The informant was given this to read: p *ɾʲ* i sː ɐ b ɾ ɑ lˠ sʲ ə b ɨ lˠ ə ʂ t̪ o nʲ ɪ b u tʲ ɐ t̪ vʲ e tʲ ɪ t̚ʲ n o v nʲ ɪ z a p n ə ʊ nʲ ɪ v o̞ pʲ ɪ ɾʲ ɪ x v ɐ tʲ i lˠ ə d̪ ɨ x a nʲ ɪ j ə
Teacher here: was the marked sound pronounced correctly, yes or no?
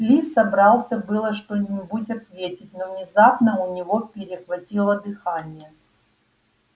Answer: no